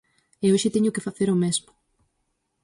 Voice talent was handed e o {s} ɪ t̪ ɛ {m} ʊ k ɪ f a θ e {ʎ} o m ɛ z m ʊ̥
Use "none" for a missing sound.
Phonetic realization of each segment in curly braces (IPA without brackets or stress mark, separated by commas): ʃ, ɲ, ɾ